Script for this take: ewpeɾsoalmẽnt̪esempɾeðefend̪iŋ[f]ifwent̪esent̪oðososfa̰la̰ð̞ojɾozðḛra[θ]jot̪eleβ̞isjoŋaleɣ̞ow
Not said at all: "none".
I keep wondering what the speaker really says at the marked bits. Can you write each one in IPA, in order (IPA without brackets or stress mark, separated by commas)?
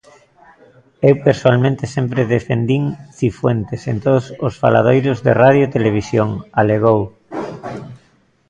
θ, ð